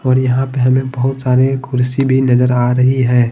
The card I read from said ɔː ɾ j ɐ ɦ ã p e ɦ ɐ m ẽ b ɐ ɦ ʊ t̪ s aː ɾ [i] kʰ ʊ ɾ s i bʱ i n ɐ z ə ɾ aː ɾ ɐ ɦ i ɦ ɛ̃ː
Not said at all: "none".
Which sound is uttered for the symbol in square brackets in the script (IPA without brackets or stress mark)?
e